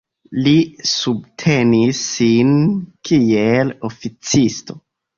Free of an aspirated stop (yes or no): no